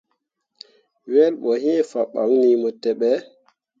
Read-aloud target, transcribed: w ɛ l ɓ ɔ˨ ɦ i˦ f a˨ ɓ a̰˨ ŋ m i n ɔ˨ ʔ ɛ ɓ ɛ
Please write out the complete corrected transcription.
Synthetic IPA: w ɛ l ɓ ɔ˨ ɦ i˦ f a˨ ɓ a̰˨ ŋ n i m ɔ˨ t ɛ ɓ ɛ